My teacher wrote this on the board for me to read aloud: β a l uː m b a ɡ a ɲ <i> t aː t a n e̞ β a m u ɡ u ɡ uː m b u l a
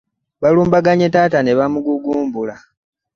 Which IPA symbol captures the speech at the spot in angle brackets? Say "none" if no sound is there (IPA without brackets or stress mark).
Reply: e